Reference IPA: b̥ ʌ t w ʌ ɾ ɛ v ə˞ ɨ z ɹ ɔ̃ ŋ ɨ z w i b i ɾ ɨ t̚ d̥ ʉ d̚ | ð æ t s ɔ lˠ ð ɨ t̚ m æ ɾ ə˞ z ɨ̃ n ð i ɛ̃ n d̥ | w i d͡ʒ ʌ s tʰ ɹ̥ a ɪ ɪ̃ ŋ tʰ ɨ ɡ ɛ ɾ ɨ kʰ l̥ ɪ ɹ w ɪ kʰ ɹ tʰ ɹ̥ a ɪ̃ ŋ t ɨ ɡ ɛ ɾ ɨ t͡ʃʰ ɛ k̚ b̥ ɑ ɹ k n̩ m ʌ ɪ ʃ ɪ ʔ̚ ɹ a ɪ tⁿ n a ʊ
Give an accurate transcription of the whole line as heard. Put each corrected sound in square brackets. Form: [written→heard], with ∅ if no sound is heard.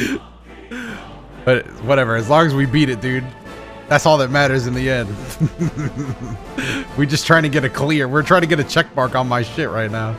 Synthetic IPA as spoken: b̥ ʌ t w ʌ ɾ ɛ v ə˞ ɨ z [ɹ→l] ɔ̃ ŋ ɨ z w i b i ɾ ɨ t̚ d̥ ʉ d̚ | ð æ t s ɔ lˠ ð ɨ t̚ m æ ɾ ə˞ z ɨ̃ n ð i ɛ̃ n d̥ | w i d͡ʒ ʌ s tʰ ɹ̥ a ɪ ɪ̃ ŋ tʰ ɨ ɡ ɛ ɾ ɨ kʰ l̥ ɪ ɹ w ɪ [kʰ→∅] ɹ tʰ ɹ̥ a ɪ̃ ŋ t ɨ ɡ ɛ ɾ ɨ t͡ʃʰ ɛ k̚ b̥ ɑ ɹ k n̩ m [ʌ→a] ɪ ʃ ɪ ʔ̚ ɹ a ɪ tⁿ n a ʊ

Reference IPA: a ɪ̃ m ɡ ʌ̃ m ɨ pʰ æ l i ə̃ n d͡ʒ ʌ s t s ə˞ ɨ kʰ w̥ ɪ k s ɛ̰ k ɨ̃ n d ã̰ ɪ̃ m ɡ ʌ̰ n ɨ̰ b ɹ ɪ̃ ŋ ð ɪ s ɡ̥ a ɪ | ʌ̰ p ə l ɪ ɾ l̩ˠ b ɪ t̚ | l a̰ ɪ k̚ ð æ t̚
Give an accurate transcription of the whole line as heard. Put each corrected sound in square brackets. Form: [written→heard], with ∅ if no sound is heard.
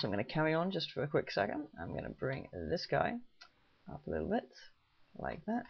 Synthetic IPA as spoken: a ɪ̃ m ɡ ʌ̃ [m→n] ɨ [pʰ→kʰ] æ [l→ɹ] i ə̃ n d͡ʒ ʌ s t [s→f] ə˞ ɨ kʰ w̥ ɪ k s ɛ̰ k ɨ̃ n d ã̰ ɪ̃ m ɡ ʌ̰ n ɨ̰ b ɹ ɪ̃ ŋ ð ɪ s ɡ̥ a ɪ | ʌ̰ p ə l ɪ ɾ l̩ˠ b ɪ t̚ | l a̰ ɪ k̚ ð æ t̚

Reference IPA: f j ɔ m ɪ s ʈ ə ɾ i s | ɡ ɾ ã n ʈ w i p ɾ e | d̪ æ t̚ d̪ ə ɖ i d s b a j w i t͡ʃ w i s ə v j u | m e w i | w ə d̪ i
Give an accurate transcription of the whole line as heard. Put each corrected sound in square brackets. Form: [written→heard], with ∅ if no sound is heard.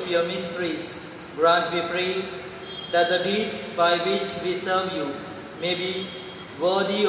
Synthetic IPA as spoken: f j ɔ m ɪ s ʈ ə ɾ i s | ɡ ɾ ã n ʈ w i p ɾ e | d̪ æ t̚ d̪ ə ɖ i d s b a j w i t͡ʃ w i s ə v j u | m e [w→b] i | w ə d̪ i

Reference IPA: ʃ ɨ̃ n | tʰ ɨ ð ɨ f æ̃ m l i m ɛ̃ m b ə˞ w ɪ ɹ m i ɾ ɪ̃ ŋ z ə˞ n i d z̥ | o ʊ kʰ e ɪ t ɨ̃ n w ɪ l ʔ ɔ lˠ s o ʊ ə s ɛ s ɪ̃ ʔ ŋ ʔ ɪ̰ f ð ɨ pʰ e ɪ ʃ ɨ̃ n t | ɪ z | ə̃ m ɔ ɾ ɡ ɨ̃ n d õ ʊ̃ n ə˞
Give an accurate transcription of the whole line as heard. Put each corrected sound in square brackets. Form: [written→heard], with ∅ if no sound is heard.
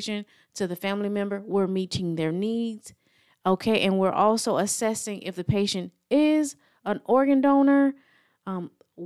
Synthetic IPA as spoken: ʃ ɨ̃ n | tʰ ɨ ð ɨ f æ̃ m l i m ɛ̃ m b ə˞ w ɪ ɹ m i ɾ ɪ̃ ŋ [z→ð] ə˞ n i d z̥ | o ʊ kʰ e ɪ [t→ʔ] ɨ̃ n w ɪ [l→ɹ] ʔ ɔ lˠ s o ʊ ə s ɛ s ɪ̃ [ʔ→∅] ŋ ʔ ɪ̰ f ð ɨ pʰ e ɪ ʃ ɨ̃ n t | ɪ z | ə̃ [m→n] ɔ [ɾ→ɹ] ɡ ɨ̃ n d õ ʊ̃ n ə˞

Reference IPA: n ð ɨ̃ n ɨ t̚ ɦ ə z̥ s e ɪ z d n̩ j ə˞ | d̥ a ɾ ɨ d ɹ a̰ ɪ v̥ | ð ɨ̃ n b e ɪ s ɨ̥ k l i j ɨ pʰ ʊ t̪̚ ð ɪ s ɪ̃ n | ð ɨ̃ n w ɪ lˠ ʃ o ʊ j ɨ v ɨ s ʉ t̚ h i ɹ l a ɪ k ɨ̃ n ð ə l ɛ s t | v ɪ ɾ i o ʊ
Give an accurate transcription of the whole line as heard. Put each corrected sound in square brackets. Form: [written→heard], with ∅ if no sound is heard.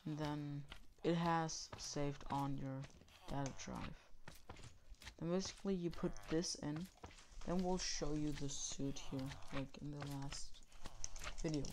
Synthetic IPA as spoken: n ð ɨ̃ n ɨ t̚ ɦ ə z̥ s e ɪ [z→v] d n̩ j ə˞ | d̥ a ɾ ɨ d ɹ a̰ ɪ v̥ | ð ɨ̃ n b e ɪ s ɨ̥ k l i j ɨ pʰ ʊ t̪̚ ð ɪ s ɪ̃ n | ð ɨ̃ n w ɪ lˠ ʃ o ʊ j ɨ [v→ð] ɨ s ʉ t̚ h i ɹ l a ɪ k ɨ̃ n ð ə l [ɛ→æ] s t | v ɪ ɾ i o ʊ

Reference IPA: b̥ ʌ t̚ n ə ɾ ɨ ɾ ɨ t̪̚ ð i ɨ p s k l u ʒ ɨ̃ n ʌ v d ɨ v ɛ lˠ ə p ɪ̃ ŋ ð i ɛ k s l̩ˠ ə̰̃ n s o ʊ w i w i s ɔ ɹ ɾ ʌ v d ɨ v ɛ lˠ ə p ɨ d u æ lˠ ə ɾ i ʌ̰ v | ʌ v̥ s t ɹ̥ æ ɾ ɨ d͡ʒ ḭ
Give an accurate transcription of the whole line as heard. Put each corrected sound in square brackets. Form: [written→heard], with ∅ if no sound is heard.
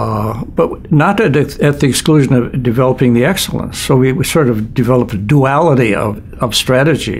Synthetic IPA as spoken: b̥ ʌ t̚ n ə ɾ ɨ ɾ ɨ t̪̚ ð i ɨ [p→k] s k l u ʒ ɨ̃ n ʌ v d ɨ v ɛ lˠ ə p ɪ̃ ŋ ð i ɛ k s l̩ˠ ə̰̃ n s o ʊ w i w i s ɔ ɹ ɾ ʌ v d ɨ v ɛ lˠ ə p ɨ d u æ lˠ ə ɾ i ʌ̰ v | ʌ v̥ s t ɹ̥ æ ɾ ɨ d͡ʒ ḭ

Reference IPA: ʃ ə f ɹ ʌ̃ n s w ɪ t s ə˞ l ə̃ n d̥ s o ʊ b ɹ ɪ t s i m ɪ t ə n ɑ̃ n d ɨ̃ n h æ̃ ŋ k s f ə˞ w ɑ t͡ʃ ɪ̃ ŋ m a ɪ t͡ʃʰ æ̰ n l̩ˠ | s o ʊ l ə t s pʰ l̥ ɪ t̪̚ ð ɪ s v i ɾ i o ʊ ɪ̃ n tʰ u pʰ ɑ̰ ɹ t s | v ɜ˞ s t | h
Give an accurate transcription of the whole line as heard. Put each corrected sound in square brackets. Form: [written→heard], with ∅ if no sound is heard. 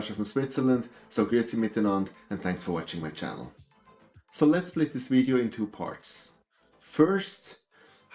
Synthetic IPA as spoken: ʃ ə f ɹ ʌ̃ [n→m] s w ɪ t s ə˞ l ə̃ n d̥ s o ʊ [b→ɡ] ɹ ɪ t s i m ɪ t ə n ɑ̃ n d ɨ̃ n [h→θ] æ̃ ŋ k s f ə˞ w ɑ t͡ʃ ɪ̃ ŋ m a ɪ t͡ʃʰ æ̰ n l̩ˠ | s o ʊ l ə t s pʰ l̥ ɪ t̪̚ ð ɪ s v i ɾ i o ʊ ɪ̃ n tʰ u pʰ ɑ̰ ɹ t s | [v→f] ɜ˞ s t | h

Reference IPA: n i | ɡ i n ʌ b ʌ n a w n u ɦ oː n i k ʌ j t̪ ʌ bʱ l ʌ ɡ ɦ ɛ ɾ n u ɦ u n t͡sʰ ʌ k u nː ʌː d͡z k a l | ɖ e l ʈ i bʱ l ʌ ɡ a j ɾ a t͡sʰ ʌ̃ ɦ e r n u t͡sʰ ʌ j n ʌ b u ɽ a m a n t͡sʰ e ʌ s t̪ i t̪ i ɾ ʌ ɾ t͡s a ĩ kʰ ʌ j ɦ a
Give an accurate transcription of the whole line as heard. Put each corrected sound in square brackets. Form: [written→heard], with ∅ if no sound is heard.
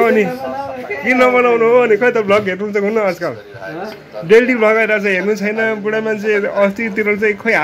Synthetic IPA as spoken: n i | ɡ i n ʌ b ʌ n a w n u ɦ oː n i k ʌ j t̪ ʌ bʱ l ʌ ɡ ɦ [ɛ→e] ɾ n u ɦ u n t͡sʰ ʌ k u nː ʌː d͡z k a l | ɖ e l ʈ i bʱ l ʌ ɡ a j ɾ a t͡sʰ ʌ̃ ɦ e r n u t͡sʰ ʌ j n ʌ b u ɽ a m a n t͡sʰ e ʌ s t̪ i t̪ i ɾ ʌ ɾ t͡s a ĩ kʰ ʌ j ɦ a

